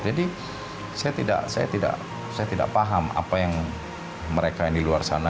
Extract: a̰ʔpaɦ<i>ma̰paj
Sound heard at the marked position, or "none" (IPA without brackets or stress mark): a